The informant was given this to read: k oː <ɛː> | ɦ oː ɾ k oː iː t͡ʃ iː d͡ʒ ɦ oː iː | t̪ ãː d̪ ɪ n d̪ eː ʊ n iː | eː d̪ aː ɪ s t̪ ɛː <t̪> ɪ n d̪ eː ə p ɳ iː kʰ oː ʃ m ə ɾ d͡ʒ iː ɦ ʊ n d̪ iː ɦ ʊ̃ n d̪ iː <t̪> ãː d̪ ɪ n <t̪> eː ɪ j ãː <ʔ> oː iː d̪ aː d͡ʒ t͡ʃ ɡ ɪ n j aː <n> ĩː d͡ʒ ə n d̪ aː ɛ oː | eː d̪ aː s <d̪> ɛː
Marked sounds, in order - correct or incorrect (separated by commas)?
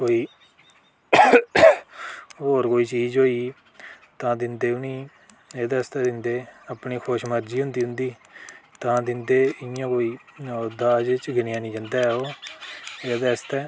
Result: incorrect, incorrect, correct, incorrect, incorrect, correct, incorrect